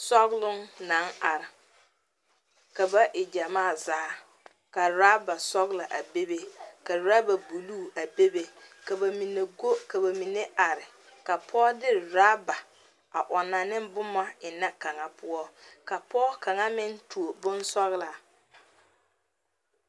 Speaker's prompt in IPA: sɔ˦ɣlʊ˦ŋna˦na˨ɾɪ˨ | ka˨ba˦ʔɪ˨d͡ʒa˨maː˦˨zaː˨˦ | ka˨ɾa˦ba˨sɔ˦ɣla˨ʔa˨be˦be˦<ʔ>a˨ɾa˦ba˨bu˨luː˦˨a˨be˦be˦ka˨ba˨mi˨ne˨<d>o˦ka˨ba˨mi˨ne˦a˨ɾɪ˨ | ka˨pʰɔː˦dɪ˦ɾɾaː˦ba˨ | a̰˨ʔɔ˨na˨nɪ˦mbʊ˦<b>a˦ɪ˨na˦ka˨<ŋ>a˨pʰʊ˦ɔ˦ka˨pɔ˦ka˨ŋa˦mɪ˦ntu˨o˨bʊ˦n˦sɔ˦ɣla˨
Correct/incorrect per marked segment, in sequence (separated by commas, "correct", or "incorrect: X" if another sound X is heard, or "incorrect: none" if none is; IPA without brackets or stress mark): incorrect: k, incorrect: ɡ, incorrect: m, correct